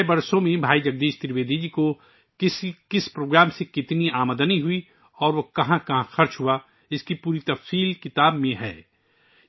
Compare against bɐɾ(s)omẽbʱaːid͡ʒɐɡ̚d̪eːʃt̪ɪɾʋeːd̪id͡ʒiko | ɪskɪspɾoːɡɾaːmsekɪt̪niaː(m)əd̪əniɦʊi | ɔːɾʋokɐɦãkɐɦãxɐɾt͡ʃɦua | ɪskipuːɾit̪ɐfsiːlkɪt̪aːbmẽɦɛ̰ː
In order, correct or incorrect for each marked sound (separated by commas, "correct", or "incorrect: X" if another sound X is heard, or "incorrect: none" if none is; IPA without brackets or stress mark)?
correct, correct